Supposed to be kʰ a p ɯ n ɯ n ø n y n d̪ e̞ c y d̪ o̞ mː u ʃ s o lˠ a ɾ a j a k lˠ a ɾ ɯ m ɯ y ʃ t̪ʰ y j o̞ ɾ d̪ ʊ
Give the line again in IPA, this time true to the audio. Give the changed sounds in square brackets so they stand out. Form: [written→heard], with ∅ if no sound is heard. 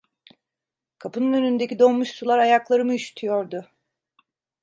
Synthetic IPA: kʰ a p ɯ n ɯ n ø n y n d̪ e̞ c [y→i] d̪ o̞ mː u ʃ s [o→u] lˠ a ɾ a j a k lˠ a ɾ ɯ m ɯ y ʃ t̪ʰ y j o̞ ɾ d̪ ʊ